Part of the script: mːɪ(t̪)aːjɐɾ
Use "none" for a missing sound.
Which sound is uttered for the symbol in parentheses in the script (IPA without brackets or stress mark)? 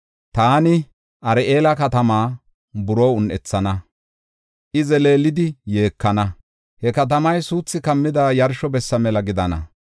d̪